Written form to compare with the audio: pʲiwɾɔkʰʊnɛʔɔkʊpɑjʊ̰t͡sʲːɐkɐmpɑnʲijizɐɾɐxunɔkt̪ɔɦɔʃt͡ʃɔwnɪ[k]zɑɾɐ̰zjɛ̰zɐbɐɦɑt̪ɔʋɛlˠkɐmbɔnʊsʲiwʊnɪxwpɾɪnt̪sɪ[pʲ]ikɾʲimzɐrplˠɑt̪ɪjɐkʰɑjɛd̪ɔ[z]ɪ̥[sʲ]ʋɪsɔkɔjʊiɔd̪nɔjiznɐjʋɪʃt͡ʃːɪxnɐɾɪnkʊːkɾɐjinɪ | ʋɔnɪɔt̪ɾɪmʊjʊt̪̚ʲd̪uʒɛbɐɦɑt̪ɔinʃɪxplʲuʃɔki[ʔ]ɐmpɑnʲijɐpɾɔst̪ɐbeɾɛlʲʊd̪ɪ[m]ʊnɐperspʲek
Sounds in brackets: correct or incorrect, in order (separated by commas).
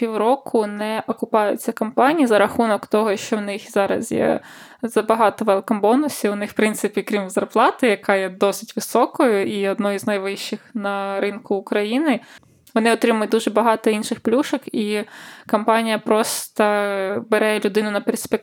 incorrect, correct, incorrect, incorrect, incorrect, incorrect